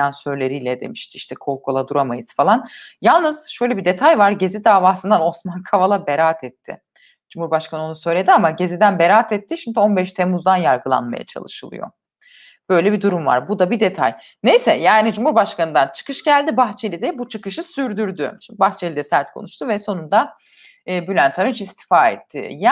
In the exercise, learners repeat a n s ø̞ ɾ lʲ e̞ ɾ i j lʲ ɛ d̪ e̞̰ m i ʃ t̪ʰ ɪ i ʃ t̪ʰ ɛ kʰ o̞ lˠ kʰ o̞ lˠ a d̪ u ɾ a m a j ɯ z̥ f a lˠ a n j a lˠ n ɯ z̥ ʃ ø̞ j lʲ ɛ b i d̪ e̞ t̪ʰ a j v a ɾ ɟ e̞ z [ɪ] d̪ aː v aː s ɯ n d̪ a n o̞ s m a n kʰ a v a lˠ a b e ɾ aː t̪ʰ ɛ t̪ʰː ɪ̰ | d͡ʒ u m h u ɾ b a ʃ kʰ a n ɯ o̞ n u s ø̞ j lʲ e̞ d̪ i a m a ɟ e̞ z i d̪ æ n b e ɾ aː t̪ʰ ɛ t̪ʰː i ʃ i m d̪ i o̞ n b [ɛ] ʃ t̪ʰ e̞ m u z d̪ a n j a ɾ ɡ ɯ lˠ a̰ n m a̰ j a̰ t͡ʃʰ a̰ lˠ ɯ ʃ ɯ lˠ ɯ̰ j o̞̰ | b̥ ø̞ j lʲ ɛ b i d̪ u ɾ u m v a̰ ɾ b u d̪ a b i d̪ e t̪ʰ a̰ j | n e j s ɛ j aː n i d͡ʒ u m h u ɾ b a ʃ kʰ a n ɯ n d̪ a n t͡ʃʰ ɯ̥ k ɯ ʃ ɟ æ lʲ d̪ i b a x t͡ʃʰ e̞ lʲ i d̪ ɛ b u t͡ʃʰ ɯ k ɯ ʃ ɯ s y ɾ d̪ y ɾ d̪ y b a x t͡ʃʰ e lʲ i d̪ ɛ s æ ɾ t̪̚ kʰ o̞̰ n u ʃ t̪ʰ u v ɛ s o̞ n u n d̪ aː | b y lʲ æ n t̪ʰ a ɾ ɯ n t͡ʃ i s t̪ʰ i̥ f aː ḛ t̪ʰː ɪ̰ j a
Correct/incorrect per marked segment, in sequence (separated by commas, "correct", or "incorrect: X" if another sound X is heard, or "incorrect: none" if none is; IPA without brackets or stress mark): incorrect: i, correct